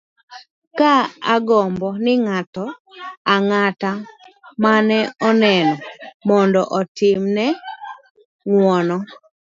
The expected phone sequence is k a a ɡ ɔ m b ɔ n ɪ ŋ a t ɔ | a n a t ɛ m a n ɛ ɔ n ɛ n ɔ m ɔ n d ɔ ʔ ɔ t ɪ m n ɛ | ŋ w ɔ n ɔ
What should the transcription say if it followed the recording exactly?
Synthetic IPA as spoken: k a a ɡ ɔ m b ɔ n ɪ ŋ a t ɔ | a ŋ a t a m a n ɛ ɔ n ɛ n ɔ m ɔ n d ɔ ʔ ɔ t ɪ m n ɛ | ŋ w ɔ n ɔ